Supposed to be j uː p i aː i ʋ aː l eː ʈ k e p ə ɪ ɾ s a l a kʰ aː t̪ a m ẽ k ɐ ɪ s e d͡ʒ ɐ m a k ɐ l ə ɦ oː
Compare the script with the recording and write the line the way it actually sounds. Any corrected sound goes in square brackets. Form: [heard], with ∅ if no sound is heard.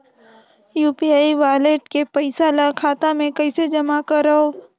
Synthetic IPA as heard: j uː p i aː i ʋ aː l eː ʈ k e p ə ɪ [∅] s a l a kʰ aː t̪ a m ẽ k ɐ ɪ s e d͡ʒ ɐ m a k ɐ [ɾ] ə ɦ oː